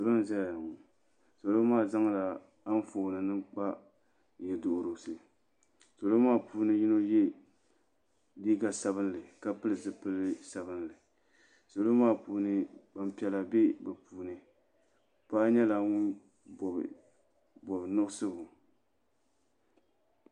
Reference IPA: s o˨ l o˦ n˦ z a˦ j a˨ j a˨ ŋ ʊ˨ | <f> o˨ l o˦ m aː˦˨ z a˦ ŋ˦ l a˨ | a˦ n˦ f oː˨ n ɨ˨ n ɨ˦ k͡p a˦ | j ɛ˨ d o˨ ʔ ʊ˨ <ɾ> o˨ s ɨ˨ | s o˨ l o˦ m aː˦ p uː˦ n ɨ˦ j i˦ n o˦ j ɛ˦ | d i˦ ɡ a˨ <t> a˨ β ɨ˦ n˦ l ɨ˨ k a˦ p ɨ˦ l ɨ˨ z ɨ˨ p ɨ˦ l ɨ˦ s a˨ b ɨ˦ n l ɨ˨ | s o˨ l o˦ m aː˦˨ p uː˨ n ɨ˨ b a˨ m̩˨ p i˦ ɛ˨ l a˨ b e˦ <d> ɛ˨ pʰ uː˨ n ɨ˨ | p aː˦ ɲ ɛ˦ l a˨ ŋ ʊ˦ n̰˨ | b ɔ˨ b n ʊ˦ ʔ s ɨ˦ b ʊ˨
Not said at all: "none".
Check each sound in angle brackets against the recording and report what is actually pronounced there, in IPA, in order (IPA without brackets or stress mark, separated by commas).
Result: s, ɾ, s, b